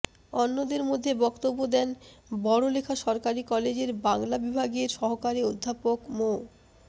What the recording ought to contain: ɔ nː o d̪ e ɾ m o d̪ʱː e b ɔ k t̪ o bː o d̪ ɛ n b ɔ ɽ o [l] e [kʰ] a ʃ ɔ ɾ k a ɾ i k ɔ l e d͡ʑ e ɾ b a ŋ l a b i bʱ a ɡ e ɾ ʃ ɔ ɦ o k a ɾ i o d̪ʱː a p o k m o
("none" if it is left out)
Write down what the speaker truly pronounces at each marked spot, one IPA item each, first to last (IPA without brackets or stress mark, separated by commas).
l, kʰ